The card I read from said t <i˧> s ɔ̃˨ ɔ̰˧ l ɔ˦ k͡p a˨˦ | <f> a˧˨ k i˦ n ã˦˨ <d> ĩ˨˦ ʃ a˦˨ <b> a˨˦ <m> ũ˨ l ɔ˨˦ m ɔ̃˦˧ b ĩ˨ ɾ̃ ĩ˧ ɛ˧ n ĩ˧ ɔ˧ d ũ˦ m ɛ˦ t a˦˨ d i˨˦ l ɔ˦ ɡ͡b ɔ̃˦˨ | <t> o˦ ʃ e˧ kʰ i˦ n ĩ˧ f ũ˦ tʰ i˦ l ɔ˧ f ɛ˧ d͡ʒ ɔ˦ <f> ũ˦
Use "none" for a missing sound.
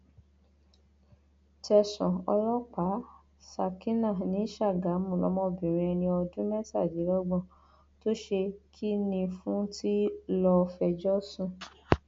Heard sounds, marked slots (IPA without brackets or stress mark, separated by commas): ɛ˧, s, n, ɡ, m, t, s